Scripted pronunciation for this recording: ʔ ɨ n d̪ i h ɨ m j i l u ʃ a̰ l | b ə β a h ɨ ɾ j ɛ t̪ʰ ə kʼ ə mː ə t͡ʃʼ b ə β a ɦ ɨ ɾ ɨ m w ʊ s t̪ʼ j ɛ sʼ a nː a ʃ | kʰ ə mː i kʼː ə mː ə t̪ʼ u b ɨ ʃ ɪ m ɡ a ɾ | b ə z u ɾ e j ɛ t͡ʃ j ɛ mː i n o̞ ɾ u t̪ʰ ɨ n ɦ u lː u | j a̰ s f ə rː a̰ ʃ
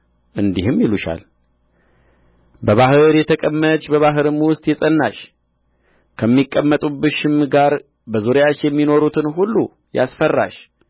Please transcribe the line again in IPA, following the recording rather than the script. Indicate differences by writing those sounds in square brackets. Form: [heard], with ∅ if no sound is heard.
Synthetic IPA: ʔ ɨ n d̪ i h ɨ m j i l u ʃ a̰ l | b ə β a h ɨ ɾ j ɛ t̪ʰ ə kʼ ə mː ə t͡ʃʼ b ə β a ɦ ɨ ɾ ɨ m w ʊ s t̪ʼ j ɛ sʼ [ə] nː a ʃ | kʰ ə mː i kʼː ə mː ə t̪ʼ u b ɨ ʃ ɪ m ɡ a ɾ | b ə z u ɾ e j [a] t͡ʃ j ɛ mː i n o̞ ɾ u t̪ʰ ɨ n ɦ u lː u | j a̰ s f ə rː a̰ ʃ